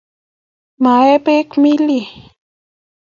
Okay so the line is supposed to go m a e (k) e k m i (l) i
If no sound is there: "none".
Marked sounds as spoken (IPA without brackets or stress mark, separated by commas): p, l